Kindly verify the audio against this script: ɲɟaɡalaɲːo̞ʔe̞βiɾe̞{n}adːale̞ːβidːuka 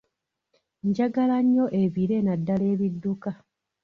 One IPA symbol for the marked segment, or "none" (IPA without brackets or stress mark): n